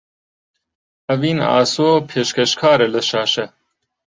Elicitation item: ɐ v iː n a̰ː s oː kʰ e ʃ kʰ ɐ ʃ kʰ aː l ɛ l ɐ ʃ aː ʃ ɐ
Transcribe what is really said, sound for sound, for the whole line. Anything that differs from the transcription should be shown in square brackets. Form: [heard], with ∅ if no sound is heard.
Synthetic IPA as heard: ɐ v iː n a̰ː s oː [pʰ] e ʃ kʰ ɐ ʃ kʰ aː [ɾ] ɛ l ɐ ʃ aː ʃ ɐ